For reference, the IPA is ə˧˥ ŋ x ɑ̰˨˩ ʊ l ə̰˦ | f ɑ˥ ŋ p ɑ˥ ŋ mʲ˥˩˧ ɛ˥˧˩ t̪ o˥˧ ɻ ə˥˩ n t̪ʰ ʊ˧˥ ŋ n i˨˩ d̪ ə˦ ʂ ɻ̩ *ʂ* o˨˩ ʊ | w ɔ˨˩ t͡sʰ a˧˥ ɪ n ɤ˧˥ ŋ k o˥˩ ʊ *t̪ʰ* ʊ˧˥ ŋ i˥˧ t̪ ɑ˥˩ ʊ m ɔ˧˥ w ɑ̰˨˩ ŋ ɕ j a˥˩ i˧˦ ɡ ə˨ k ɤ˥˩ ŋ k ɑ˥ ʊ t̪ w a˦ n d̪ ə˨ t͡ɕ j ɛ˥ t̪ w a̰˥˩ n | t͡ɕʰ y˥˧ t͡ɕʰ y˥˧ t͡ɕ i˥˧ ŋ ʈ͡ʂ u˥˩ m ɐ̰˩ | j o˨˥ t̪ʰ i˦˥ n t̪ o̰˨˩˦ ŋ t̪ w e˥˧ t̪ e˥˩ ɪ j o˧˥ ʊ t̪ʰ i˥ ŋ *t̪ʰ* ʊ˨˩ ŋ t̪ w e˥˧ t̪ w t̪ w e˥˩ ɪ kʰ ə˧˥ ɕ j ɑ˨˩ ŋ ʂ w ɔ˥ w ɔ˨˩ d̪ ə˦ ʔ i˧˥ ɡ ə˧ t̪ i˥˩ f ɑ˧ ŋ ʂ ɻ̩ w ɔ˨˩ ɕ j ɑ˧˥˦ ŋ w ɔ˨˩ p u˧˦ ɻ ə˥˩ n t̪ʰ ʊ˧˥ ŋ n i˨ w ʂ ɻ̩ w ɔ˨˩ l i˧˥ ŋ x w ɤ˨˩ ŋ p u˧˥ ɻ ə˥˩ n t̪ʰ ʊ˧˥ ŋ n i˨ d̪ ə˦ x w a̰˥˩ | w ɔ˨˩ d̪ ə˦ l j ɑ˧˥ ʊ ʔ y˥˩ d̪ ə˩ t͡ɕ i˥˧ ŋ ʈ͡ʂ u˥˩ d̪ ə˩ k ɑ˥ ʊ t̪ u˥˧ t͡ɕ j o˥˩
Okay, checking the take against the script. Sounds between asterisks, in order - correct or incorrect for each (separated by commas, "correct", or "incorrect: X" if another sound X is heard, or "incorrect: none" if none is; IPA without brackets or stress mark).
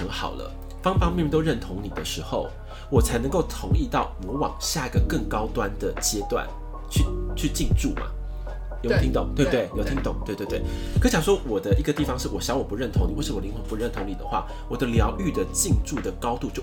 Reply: incorrect: x, correct, incorrect: t̪